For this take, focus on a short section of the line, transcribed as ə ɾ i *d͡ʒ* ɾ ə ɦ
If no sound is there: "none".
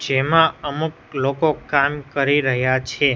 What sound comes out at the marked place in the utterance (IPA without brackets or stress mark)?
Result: none